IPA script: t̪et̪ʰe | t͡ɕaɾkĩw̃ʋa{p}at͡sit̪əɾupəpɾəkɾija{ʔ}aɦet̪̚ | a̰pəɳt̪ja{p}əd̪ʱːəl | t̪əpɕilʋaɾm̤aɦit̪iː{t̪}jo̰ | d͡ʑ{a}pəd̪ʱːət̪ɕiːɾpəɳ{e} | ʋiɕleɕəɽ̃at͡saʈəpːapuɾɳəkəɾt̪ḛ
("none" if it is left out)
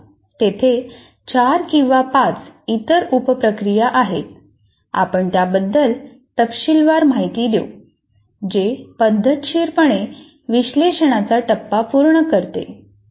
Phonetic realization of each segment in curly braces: p, ʔ, b, d̪, e, e

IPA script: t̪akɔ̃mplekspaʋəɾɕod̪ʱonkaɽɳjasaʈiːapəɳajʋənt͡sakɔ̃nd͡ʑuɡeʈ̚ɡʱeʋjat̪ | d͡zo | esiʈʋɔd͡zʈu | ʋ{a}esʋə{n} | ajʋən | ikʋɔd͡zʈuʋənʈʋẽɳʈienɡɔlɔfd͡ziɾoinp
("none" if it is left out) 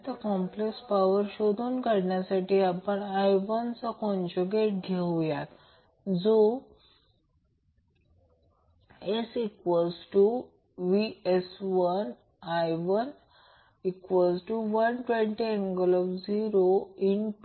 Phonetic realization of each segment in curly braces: i, n

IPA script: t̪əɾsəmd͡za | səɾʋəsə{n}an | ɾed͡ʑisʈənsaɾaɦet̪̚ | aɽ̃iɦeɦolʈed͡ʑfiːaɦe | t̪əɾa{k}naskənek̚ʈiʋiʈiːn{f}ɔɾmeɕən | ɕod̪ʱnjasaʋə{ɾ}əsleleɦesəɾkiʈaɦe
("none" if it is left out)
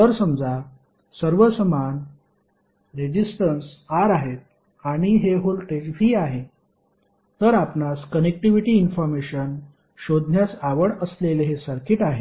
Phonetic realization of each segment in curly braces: m, p, f, ɽ

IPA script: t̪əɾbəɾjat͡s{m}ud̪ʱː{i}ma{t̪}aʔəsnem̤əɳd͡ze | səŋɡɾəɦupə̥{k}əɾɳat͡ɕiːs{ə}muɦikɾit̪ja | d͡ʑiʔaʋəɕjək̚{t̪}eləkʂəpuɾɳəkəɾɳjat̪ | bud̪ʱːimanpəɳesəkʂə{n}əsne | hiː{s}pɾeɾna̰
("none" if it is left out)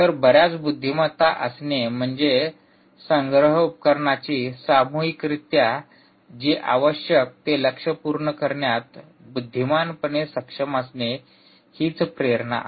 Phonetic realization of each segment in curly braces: b, i, t̪, k, a, t̪, m, t͡s

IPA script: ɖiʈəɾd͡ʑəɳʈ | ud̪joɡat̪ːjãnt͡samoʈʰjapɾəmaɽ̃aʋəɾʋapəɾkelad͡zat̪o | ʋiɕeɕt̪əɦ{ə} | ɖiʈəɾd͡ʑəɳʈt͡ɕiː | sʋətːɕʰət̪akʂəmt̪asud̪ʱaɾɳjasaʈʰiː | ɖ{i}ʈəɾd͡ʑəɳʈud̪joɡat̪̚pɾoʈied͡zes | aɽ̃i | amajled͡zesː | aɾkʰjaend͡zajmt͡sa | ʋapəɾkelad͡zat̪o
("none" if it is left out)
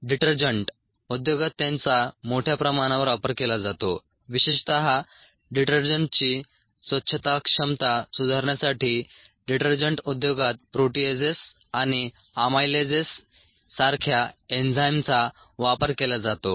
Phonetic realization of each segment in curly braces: a, i

